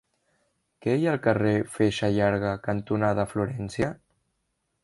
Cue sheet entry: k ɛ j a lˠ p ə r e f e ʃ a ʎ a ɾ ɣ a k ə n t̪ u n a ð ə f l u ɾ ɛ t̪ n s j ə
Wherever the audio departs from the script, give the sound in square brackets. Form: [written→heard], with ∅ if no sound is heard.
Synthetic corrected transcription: k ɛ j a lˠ [p→k] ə r e f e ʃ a ʎ a ɾ ɣ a k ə n t̪ u n a ð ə f l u ɾ ɛ [t̪→∅] n s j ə

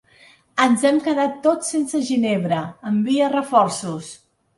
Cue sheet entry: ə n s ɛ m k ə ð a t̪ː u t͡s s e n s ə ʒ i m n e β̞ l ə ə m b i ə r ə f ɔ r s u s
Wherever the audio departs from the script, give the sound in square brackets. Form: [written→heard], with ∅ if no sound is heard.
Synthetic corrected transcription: ə n [s→z] ɛ m k ə ð a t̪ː [u→o] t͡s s e n s ə ʒ i [m→∅] n e β̞ [l→ɾ] ə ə m b i ə r ə f ɔ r s u s

